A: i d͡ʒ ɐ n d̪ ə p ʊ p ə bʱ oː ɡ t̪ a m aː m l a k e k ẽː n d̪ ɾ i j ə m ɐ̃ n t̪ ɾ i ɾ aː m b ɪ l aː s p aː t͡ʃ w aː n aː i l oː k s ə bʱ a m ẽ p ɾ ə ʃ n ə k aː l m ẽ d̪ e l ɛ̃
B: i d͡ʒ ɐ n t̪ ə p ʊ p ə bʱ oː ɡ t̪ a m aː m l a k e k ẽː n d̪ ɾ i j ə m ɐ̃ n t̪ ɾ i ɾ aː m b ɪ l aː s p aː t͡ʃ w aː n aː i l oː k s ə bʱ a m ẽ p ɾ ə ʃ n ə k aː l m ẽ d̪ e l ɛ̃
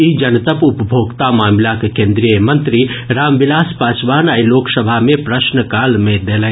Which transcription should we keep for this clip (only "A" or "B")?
B